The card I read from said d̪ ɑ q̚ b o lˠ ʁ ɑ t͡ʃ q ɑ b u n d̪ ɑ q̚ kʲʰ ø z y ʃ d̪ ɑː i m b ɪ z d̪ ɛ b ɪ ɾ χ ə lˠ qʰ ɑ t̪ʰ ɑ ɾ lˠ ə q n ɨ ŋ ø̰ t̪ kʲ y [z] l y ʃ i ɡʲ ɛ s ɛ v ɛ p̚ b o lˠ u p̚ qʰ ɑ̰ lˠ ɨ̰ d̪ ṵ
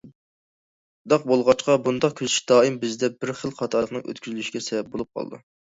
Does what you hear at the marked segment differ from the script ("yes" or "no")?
no